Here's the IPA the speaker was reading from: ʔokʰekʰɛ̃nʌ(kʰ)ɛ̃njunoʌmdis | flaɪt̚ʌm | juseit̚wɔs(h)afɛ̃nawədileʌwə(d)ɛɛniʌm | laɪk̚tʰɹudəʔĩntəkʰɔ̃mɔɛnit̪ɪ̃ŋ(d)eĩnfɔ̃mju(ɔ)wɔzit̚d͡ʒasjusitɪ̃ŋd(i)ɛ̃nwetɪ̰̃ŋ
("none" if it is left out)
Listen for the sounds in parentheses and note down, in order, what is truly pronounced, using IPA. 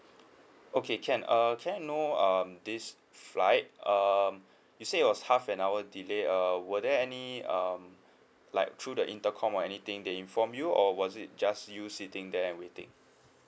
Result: kʰ, h, d, d, ɔ, ɛ

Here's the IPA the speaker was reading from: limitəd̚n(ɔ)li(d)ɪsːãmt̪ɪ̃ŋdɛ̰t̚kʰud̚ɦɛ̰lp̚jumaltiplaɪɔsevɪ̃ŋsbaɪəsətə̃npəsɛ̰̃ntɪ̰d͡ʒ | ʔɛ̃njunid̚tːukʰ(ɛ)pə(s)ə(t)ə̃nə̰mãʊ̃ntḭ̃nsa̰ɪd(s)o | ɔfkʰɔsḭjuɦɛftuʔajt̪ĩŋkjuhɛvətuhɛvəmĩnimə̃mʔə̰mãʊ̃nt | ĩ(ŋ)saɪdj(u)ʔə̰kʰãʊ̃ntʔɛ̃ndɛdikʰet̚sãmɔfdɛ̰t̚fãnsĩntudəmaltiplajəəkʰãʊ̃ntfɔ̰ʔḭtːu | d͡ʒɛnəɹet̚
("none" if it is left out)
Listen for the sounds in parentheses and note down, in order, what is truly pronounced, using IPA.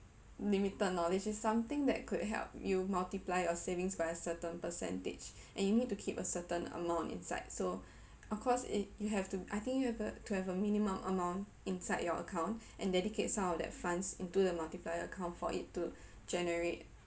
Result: ɔ, d͡ʒ, i, s, t, s, n, ɔ

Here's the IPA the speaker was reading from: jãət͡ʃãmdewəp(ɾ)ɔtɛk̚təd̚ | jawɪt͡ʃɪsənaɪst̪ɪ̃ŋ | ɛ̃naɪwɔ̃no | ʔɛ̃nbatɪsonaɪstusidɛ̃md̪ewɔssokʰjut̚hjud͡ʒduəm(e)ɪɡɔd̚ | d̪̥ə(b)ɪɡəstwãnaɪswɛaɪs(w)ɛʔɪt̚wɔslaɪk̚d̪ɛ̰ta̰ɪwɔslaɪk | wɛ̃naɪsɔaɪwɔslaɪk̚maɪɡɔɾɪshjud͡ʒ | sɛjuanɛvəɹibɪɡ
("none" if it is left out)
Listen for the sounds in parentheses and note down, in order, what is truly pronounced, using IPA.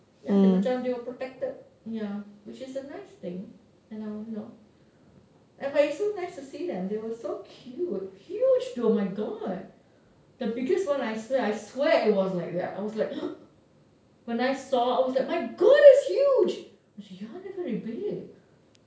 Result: ɹ, a, b, w

